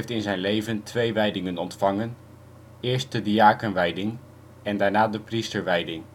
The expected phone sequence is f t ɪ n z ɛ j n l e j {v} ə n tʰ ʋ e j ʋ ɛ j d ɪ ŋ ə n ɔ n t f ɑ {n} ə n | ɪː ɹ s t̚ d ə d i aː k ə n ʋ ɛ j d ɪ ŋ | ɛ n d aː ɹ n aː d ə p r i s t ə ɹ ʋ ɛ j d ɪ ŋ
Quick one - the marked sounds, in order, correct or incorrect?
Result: correct, incorrect: ŋ

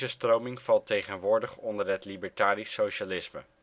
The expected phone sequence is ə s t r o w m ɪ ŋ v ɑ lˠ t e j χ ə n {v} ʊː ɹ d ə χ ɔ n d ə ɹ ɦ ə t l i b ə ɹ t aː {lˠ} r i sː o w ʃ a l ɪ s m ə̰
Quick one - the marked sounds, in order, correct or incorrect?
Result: incorrect: ʋ, incorrect: none

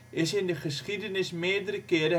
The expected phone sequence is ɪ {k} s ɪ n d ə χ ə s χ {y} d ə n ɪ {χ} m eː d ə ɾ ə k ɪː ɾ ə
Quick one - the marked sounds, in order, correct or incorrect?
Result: incorrect: none, incorrect: i, incorrect: s

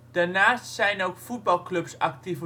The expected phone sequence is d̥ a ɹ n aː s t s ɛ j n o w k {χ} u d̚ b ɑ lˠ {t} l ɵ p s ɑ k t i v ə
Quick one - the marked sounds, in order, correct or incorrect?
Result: incorrect: f, incorrect: k

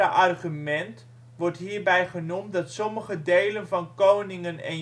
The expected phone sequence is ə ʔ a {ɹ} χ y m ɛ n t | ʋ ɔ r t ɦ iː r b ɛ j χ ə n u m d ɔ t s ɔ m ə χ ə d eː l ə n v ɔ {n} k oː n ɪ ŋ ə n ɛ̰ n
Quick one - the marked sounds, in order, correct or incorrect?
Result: incorrect: r, correct

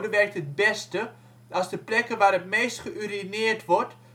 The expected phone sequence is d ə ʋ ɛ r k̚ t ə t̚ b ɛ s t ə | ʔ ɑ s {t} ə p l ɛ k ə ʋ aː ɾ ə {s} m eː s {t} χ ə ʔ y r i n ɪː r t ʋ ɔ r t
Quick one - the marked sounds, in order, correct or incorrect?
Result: incorrect: d, incorrect: t, correct

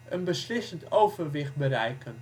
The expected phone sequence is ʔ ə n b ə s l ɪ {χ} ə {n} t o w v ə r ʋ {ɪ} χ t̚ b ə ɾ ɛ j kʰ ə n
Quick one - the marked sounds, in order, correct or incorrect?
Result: incorrect: s, correct, correct

